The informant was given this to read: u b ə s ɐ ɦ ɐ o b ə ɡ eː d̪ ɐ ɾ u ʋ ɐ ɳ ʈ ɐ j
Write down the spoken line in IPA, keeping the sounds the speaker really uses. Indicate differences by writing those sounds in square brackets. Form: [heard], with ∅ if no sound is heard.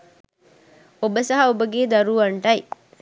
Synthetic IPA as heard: [o] b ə s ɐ ɦ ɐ o b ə ɡ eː d̪ ɐ ɾ u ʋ ɐ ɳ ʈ ɐ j